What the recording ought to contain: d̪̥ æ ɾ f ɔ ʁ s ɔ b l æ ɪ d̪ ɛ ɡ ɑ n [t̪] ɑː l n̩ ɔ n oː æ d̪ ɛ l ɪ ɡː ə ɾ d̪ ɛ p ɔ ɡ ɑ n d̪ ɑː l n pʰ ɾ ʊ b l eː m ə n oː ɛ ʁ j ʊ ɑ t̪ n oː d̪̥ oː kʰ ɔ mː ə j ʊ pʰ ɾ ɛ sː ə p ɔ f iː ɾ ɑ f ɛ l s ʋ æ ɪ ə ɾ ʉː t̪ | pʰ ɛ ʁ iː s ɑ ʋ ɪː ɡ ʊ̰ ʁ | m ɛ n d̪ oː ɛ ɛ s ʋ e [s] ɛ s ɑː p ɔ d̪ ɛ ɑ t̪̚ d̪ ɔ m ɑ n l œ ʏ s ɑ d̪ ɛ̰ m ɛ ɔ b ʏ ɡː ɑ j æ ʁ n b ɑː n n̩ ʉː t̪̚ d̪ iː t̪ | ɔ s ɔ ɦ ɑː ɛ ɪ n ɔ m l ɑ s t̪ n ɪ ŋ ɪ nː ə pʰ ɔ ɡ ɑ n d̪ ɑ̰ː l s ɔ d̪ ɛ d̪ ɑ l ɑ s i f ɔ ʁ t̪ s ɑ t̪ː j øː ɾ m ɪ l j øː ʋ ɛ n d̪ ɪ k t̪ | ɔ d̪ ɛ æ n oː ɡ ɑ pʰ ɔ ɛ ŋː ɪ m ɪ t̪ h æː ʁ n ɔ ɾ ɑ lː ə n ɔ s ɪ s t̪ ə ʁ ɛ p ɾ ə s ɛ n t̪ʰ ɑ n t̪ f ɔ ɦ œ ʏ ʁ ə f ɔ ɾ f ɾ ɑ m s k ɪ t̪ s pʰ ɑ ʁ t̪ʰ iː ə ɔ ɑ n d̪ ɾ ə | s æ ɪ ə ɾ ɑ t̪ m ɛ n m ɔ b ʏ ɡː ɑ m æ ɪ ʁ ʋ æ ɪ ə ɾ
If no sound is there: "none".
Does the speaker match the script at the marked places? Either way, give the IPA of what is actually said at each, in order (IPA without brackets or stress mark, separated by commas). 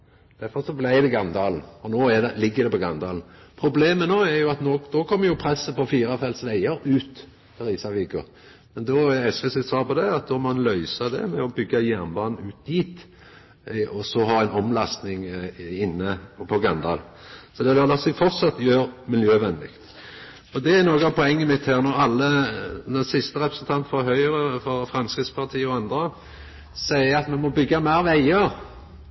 d̪, s